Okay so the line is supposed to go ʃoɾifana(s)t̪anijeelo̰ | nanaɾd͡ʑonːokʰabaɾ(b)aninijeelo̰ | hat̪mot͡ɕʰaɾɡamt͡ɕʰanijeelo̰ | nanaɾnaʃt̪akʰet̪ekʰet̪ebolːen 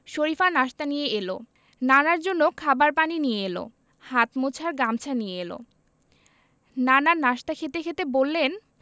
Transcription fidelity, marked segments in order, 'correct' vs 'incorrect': incorrect, incorrect

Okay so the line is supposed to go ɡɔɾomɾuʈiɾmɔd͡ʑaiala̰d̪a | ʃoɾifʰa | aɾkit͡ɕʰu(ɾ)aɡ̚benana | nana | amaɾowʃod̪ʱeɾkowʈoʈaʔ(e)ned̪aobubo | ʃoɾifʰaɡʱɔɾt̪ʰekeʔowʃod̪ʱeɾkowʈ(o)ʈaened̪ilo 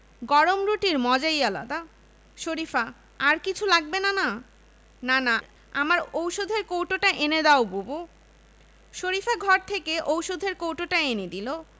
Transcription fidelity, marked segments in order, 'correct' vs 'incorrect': incorrect, correct, correct

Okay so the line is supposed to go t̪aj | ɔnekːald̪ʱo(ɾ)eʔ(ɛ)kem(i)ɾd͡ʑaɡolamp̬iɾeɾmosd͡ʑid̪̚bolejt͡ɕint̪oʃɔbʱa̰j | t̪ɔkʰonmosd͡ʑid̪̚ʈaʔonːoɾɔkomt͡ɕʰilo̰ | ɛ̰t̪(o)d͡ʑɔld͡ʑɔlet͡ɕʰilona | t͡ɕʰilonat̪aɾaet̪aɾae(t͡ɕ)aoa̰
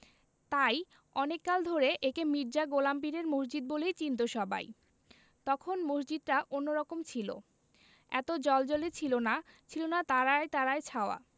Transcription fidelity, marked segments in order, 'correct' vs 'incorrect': correct, incorrect, correct, correct, incorrect

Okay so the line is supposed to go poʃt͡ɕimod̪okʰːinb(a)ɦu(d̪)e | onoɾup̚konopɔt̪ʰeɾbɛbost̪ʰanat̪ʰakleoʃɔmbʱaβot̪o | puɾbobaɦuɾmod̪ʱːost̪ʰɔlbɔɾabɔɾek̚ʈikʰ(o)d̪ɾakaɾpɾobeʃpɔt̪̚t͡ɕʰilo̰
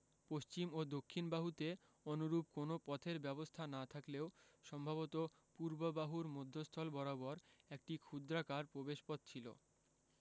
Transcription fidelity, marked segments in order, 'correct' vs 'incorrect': correct, incorrect, incorrect

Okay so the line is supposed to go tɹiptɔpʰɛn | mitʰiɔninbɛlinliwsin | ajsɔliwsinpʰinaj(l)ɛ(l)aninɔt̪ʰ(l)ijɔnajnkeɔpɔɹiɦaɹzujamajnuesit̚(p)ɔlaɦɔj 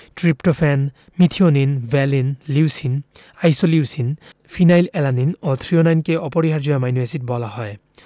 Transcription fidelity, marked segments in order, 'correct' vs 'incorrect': correct, correct, incorrect, incorrect

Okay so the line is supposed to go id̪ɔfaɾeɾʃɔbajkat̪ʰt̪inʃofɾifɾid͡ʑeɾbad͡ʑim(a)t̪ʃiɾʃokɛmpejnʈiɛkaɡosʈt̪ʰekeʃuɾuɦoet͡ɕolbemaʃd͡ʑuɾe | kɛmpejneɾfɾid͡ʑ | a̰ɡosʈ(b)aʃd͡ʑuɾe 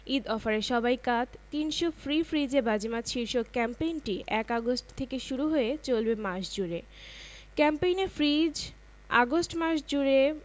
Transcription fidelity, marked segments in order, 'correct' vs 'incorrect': correct, incorrect

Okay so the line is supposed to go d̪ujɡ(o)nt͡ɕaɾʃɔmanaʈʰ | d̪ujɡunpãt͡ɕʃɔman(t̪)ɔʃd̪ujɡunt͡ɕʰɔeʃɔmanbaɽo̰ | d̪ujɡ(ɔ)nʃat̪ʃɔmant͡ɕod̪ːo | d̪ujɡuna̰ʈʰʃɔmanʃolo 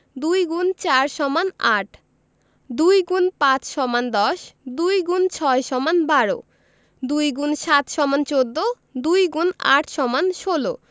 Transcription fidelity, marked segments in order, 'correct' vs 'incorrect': incorrect, incorrect, incorrect

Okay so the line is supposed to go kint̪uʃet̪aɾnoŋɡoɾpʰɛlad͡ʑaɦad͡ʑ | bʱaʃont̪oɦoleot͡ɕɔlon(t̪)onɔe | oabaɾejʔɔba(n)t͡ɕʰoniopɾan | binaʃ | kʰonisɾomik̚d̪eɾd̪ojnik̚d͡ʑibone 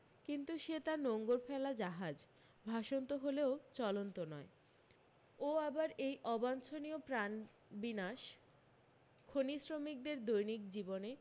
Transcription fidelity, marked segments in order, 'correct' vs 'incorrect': correct, correct

